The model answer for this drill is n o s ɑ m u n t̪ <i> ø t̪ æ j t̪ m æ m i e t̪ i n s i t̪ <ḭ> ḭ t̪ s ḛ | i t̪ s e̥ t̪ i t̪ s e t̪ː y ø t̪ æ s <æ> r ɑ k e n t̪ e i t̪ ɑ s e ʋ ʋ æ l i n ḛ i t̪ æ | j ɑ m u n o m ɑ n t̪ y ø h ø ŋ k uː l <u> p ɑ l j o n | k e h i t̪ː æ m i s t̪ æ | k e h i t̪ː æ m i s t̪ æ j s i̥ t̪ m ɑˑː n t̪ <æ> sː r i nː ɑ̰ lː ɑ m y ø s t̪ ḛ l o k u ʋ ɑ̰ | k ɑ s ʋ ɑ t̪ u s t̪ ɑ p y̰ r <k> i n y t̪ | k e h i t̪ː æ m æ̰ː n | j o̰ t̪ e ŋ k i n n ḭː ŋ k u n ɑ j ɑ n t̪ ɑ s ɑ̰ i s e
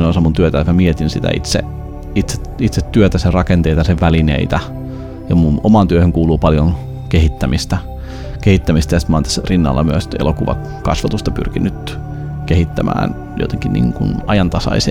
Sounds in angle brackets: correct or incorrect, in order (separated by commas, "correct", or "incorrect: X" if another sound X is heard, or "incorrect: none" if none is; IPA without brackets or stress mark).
incorrect: y, incorrect: æ̰, incorrect: e, incorrect: uː, correct, correct